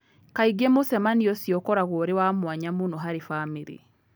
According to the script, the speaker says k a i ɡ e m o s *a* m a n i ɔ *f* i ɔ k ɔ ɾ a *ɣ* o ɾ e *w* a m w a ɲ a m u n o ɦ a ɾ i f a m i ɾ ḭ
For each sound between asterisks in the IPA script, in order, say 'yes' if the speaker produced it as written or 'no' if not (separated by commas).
no, no, yes, yes